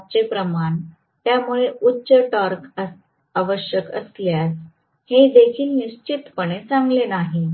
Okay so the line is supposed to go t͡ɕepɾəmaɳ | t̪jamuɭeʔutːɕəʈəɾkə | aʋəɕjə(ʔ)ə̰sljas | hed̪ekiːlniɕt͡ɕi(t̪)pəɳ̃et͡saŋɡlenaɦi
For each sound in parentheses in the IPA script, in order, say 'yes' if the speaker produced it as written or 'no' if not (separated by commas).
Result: no, yes